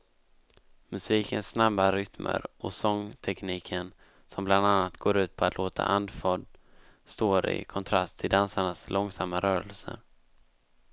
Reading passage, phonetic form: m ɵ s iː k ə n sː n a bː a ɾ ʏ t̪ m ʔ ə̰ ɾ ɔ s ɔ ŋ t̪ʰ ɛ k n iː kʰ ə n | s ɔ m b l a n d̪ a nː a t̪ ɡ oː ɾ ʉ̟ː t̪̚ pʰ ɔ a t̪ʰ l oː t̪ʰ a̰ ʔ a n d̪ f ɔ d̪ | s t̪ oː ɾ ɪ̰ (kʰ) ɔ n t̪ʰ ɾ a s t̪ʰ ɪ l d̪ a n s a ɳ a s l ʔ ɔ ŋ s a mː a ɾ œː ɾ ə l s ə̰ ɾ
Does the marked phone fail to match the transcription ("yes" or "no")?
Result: no